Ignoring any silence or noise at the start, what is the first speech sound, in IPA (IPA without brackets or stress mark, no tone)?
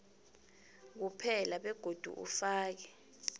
k̬